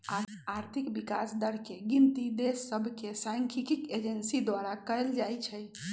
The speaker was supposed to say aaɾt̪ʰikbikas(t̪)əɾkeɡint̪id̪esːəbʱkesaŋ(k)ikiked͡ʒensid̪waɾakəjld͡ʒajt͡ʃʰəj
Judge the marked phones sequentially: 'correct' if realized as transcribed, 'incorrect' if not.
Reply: incorrect: d̪, incorrect: kʰ

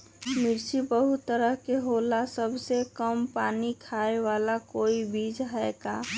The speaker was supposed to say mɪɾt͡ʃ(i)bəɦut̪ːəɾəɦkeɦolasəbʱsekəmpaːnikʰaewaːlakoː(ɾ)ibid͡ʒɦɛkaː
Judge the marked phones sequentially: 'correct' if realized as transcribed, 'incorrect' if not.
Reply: correct, incorrect: none

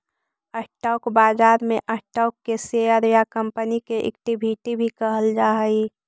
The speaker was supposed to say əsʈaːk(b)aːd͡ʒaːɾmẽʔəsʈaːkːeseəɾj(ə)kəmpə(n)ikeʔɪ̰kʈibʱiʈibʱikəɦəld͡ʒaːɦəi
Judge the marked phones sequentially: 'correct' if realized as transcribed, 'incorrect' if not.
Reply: correct, incorrect: a, correct

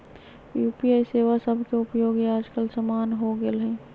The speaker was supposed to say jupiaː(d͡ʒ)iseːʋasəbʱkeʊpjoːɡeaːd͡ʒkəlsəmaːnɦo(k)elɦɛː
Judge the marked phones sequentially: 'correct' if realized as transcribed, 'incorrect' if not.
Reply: incorrect: none, incorrect: ɡ

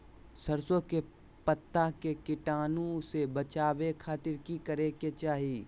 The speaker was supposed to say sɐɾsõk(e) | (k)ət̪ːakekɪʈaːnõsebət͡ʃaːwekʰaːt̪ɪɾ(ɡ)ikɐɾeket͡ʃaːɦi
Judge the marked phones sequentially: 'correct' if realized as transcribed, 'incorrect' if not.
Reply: correct, incorrect: p, incorrect: k

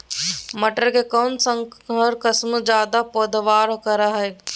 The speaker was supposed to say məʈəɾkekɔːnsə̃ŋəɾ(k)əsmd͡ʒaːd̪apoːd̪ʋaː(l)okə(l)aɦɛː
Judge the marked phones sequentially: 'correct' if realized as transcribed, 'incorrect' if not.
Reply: correct, incorrect: ɾ, incorrect: ɾ

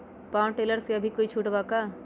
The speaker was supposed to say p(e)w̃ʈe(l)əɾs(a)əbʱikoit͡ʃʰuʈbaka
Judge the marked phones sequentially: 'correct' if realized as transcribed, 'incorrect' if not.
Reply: incorrect: a, correct, incorrect: e

